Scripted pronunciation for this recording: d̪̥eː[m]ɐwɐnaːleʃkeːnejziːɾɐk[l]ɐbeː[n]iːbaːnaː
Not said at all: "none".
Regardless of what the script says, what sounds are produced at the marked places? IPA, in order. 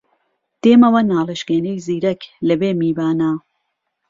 m, l, m

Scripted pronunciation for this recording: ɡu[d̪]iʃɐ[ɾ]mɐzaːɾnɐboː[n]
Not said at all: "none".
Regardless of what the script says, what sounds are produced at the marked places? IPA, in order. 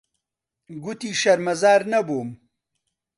t̪, ɾ, m

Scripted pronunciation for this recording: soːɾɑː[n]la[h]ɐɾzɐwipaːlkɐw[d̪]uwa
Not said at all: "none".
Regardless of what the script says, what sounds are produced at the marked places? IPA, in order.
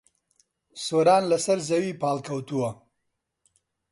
n, s, t̪

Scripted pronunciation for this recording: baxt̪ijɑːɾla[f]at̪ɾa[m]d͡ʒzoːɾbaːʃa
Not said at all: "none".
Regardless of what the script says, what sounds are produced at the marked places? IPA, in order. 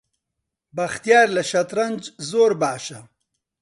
ʃ, n

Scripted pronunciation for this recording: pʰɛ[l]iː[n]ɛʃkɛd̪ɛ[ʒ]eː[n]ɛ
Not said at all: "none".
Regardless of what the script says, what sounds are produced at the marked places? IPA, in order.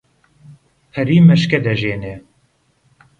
ɾ, m, ʒ, n

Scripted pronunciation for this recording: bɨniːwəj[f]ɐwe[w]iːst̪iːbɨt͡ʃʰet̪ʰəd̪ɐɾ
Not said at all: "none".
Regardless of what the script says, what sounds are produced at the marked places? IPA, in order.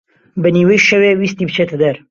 ʃ, w

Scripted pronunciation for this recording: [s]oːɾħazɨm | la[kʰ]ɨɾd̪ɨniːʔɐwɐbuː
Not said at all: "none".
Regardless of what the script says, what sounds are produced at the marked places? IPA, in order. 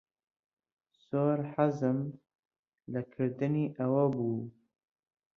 s, kʰ

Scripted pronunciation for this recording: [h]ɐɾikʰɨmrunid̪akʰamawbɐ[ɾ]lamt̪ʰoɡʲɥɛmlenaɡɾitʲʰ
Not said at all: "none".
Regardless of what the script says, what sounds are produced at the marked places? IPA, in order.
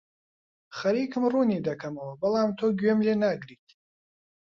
χ, none

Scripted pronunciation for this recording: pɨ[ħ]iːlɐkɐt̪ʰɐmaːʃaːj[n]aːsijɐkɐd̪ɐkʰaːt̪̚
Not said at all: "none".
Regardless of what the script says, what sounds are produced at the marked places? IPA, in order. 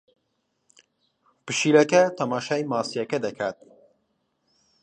ʃ, m

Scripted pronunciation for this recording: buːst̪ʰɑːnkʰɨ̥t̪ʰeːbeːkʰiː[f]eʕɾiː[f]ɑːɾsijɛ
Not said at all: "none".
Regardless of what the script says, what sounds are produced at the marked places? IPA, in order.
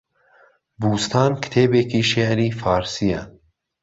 ʃ, f

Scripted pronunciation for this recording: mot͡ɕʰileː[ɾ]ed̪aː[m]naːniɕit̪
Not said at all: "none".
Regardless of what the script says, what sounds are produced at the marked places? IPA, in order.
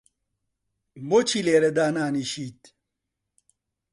ɾ, none

